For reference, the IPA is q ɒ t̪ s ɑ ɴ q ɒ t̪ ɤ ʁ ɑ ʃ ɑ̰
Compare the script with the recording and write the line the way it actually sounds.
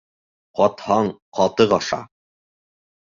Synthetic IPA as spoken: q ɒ t̪ h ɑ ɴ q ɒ t̪ ɤ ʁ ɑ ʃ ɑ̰